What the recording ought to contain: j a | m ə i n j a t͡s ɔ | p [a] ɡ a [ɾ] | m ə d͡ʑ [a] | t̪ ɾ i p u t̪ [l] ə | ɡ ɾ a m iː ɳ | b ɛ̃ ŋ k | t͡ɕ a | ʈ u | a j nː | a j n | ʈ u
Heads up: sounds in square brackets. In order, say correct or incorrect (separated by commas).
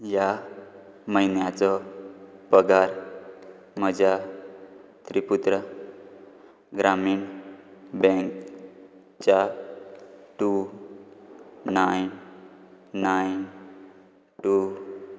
incorrect, correct, correct, incorrect